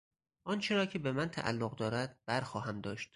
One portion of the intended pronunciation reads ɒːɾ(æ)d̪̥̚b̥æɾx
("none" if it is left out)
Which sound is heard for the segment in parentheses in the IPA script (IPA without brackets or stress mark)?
æ